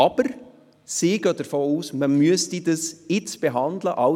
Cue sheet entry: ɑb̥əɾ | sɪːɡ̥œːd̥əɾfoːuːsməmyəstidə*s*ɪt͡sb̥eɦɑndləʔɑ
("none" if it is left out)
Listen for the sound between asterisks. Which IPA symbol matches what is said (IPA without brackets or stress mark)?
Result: s